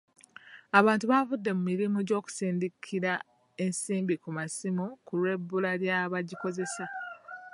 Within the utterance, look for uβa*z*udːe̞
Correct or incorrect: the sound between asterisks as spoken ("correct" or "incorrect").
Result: incorrect